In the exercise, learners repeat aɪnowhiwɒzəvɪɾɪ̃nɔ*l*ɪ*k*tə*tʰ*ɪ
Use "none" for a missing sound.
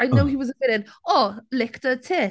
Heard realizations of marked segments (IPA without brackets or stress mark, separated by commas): l, k, tʰ